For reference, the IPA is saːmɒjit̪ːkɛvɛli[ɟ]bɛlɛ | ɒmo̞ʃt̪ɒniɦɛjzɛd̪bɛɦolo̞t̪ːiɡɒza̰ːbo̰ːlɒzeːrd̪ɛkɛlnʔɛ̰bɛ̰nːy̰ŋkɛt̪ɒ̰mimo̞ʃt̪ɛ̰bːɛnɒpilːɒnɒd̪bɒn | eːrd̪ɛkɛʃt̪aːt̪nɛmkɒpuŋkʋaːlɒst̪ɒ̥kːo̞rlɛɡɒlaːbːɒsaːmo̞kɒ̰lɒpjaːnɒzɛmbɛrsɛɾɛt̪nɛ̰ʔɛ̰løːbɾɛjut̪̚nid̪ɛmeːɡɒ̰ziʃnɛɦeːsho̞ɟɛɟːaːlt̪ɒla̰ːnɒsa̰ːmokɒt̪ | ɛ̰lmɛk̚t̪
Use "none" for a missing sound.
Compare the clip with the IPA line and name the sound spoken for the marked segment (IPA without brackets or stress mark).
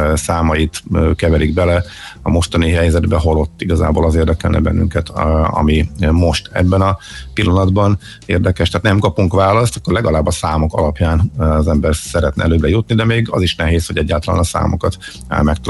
ɡ